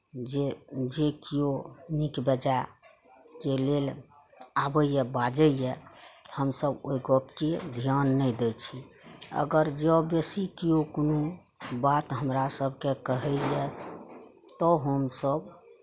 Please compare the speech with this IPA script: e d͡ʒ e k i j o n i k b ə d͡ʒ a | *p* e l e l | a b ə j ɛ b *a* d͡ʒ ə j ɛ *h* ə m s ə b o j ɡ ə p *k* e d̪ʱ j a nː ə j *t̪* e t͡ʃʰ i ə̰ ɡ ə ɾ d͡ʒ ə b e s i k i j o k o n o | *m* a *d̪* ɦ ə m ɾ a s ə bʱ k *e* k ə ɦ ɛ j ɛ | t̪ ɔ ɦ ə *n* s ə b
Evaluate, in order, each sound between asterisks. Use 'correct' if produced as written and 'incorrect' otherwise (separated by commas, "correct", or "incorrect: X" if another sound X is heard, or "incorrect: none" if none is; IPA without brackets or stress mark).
incorrect: k, correct, correct, correct, incorrect: d̪, incorrect: b, incorrect: t̪, correct, incorrect: m